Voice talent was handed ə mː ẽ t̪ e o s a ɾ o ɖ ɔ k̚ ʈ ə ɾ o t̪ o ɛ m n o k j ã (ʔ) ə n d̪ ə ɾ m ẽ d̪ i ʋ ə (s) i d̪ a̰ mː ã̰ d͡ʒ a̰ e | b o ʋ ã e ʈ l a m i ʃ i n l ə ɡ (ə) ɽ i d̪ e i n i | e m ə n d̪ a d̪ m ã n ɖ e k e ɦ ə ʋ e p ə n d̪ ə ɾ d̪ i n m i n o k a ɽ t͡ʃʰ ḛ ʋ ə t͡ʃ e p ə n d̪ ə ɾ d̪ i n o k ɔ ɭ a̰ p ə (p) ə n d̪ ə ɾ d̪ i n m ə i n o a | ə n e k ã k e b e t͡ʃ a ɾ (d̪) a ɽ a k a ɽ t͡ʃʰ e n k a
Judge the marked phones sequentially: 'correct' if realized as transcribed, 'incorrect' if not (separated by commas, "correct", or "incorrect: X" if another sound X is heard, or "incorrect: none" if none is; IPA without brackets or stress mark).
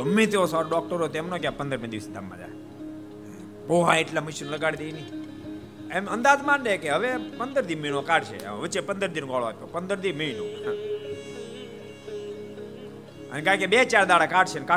incorrect: p, correct, incorrect: a, correct, correct